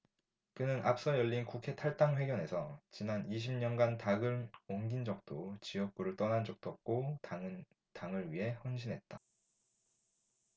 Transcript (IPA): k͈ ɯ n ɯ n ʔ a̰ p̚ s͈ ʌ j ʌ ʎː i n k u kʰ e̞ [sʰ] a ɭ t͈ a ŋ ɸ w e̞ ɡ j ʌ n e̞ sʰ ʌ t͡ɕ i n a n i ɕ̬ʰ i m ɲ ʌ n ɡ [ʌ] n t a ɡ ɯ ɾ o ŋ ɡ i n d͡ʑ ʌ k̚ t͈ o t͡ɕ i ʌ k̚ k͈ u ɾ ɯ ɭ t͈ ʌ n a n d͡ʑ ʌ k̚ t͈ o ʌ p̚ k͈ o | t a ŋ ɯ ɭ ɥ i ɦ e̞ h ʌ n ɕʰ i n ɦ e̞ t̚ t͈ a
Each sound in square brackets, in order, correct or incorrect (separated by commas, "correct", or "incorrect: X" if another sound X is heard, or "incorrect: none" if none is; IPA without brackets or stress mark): incorrect: tʰ, incorrect: a